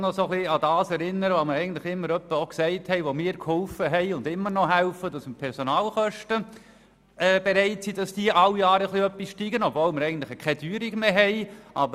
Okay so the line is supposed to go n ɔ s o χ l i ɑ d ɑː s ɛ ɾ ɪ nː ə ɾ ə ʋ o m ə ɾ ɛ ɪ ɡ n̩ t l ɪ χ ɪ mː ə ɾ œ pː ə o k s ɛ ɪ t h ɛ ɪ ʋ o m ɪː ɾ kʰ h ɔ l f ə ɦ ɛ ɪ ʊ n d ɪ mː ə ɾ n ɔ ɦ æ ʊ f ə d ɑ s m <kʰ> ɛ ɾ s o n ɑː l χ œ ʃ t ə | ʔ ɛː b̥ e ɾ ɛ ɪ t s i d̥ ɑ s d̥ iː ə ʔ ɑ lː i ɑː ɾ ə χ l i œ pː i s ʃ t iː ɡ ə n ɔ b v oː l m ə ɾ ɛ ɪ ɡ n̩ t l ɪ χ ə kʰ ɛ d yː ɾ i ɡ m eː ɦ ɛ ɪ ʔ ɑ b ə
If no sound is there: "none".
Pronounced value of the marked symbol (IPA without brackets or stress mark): pʰ